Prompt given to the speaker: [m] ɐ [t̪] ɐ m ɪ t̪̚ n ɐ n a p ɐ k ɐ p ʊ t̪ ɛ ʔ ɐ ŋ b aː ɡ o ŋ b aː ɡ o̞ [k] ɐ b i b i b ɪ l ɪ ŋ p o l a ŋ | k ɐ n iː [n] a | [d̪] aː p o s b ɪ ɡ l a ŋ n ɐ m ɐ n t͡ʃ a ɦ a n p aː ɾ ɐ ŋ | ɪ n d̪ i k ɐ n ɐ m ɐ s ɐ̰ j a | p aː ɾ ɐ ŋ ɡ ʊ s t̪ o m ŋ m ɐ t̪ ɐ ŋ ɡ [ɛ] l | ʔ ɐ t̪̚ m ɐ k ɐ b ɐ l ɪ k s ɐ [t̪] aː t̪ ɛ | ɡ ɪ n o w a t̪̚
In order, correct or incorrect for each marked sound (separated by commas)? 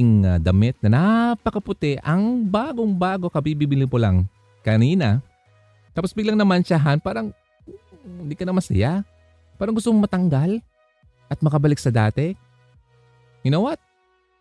incorrect, incorrect, correct, correct, incorrect, incorrect, incorrect